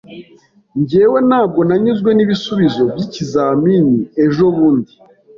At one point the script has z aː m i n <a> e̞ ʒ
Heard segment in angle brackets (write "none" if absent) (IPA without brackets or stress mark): i